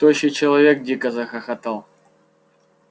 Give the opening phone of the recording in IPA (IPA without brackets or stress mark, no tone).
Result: t̪